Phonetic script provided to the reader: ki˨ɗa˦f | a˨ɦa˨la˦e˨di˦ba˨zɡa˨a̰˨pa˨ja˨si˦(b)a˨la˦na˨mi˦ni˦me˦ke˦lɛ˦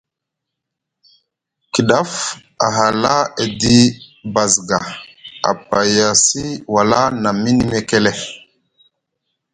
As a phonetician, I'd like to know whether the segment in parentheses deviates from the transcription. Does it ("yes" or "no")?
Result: yes